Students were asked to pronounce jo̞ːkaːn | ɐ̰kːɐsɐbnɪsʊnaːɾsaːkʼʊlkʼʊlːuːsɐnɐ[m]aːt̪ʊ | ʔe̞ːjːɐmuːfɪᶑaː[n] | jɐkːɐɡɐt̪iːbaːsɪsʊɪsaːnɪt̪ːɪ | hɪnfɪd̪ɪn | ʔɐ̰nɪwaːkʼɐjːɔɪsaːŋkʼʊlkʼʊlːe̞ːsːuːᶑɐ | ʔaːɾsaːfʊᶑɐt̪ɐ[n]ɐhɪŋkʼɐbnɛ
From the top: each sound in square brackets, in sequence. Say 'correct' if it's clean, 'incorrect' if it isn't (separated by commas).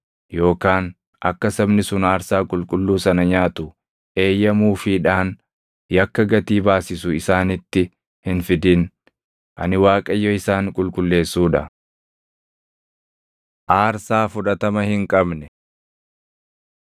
incorrect, correct, incorrect